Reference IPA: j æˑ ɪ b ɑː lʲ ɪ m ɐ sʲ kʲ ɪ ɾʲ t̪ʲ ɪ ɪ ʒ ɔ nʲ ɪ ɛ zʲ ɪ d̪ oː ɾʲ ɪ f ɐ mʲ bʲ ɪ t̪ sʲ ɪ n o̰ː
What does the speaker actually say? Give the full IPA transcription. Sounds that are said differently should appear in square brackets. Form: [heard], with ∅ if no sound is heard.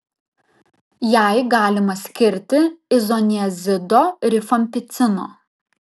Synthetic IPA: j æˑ ɪ [ɡ] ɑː lʲ ɪ m ɐ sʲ kʲ ɪ ɾʲ t̪ʲ ɪ ɪ [z] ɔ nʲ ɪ ɛ zʲ ɪ d̪ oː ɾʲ ɪ f ɐ mʲ [pʲ] ɪ t̪ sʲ ɪ n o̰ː

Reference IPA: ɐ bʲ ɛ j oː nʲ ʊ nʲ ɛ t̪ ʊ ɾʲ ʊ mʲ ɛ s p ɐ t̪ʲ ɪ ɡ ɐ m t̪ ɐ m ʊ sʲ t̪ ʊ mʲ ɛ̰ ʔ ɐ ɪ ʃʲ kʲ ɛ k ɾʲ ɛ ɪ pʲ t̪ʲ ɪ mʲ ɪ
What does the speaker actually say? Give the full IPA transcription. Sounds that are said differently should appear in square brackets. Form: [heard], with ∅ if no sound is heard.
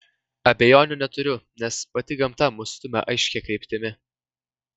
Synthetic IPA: ɐ bʲ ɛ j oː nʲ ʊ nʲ ɛ t̪ ʊ ɾʲ ʊ [nʲ] ɛ s p ɐ t̪ʲ ɪ ɡ ɐ m t̪ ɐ m ʊ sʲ t̪ ʊ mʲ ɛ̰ ʔ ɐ ɪ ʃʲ kʲ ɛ k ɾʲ ɛ ɪ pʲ t̪ʲ ɪ mʲ ɪ

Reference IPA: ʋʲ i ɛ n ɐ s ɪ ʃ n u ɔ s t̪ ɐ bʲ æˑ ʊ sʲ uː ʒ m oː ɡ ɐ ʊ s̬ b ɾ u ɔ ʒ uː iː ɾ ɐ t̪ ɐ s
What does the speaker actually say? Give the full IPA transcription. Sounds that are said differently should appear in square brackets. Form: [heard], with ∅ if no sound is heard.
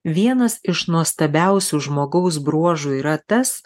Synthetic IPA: ʋʲ i ɛ n ɐ s ɪ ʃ n u ɔ s t̪ ɐ bʲ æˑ ʊ sʲ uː ʒ m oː ɡ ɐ ʊ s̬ b ɾ u ɔ ʒ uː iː ɾ ɐ t̪ ɐ s

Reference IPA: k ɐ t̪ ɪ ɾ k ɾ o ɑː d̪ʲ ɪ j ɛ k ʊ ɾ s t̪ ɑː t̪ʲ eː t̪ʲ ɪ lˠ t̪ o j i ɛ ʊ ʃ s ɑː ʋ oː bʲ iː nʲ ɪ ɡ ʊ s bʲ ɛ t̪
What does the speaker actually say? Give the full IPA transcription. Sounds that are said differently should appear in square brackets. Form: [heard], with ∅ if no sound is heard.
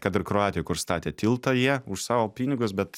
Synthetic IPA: k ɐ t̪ ɪ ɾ k ɾ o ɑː [t̪ʲ] ɪ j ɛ k ʊ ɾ s t̪ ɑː t̪ʲ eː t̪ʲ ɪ lˠ t̪ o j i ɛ ʊ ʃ s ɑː ʋ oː [pʲ] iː nʲ ɪ ɡ ʊ s bʲ ɛ t̪

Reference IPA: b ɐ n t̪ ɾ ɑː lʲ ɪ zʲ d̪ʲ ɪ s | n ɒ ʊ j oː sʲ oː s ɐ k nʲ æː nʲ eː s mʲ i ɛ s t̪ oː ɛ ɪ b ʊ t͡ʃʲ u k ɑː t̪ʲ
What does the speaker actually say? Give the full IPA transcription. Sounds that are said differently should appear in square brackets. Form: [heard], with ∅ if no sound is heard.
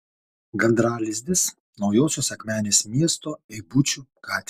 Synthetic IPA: [ɡ] ɐ n [d̪] ɾ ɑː lʲ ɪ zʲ d̪ʲ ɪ s | n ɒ ʊ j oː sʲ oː s ɐ k [mʲ] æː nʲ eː s mʲ i ɛ s t̪ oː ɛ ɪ b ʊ t͡ʃʲ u k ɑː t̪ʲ

